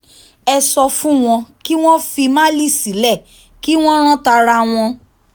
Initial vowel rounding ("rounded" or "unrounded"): unrounded